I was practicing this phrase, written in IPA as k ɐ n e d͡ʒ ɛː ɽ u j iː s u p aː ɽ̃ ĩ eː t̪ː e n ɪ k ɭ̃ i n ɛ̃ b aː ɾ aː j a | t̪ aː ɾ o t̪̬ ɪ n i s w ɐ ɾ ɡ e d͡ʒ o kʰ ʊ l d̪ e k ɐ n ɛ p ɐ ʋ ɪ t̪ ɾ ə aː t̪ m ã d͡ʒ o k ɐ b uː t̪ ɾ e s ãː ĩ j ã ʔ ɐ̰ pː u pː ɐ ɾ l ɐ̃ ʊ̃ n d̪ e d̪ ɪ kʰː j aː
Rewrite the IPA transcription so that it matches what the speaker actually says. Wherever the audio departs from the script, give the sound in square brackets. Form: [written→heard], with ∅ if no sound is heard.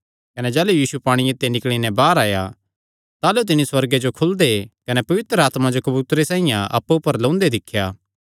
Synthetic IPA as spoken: k ɐ n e d͡ʒ ɛː [ɽ→l] u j iː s u p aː ɽ̃ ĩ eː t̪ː e n ɪ k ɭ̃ i n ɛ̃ b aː ɾ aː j a | t̪ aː [ɾ→l] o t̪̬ ɪ n i s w ɐ ɾ ɡ e d͡ʒ o kʰ ʊ l d̪ e k ɐ n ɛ p ɐ ʋ ɪ t̪ ɾ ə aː t̪ m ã d͡ʒ o k ɐ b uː t̪ ɾ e s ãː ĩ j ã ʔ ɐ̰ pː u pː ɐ ɾ l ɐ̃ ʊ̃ n d̪ e d̪ ɪ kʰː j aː